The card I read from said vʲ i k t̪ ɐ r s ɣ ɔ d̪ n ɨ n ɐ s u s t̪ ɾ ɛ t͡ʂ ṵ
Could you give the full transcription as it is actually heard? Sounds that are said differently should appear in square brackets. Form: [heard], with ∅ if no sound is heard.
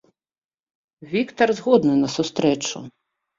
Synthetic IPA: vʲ i k t̪ ɐ r [z] ɣ ɔ d̪ n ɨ n ɐ s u s t̪ ɾ ɛ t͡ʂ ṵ